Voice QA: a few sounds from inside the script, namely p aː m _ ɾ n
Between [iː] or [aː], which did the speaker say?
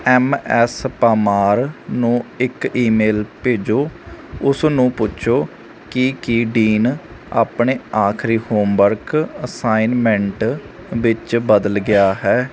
aː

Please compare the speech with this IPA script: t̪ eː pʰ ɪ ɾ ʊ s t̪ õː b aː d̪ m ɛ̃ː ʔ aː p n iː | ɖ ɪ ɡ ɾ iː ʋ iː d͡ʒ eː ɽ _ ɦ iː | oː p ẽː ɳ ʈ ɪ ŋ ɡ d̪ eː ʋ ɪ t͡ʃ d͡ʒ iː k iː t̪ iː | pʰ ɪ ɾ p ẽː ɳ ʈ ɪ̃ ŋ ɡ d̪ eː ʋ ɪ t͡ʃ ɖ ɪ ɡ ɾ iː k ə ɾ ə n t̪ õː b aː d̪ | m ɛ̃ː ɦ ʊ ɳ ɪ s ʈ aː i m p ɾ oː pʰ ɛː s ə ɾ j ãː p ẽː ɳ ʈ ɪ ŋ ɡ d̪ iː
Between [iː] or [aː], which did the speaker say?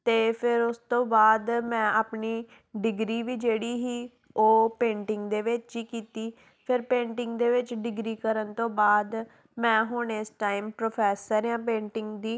iː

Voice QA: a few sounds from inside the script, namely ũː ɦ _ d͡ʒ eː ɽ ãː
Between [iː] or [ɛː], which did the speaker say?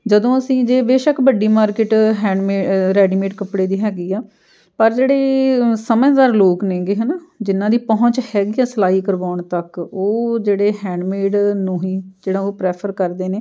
iː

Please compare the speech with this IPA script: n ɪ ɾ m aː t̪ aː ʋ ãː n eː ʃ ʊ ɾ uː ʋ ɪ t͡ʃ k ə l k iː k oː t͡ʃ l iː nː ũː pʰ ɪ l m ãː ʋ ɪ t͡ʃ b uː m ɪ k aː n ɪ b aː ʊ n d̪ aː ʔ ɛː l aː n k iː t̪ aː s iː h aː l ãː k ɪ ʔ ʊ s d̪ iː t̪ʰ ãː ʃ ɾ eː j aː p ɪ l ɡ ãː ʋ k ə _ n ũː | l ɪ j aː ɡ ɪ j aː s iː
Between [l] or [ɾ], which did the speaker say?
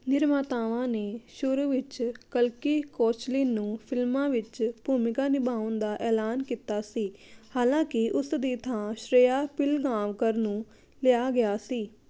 ɾ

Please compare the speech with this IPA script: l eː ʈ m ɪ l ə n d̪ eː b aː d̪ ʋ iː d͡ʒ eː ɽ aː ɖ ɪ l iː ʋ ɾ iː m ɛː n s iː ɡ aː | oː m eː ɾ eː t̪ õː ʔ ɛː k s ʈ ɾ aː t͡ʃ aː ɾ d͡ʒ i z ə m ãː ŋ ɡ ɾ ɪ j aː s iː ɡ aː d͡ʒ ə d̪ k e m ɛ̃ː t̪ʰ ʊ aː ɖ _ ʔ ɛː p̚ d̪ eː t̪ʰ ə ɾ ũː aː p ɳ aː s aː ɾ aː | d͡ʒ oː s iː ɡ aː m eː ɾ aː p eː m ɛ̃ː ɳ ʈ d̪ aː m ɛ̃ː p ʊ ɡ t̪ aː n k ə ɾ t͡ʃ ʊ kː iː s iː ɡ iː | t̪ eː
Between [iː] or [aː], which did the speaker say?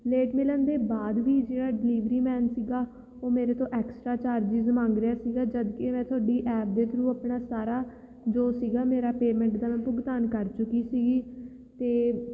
iː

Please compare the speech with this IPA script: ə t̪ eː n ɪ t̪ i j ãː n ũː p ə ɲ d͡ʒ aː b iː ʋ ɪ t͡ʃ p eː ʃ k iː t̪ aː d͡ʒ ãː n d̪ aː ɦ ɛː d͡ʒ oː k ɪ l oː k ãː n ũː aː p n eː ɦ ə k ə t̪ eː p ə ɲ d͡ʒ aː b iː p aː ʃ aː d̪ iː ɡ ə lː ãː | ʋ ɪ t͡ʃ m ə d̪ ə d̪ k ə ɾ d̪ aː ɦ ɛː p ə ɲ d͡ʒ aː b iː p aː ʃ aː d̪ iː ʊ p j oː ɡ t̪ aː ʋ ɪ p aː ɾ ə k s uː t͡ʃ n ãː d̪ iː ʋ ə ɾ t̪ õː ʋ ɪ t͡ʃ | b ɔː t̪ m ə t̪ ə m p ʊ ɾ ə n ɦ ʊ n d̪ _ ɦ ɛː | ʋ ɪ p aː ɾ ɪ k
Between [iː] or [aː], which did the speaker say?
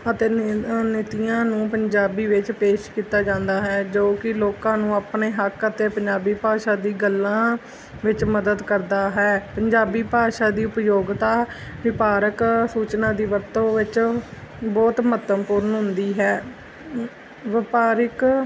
iː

